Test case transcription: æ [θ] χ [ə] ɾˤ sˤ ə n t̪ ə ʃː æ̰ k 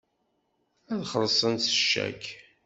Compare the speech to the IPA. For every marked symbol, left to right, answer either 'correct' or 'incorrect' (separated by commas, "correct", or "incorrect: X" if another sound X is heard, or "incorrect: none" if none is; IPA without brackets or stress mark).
incorrect: ð, correct